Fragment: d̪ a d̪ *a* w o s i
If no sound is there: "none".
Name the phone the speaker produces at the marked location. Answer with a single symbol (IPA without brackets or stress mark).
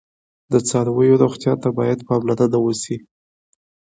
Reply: a